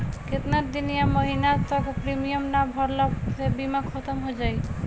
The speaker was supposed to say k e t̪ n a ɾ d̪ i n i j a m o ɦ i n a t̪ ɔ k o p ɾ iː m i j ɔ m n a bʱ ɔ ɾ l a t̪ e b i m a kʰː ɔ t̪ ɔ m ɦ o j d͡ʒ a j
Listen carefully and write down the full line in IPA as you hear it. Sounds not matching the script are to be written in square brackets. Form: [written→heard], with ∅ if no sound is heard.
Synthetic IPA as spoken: k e t̪ n a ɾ d̪ i n i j a m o ɦ i n a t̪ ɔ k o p ɾ [iː→i] m i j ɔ m n a bʱ ɔ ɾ l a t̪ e b i m a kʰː ɔ t̪ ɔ m ɦ o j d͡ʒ a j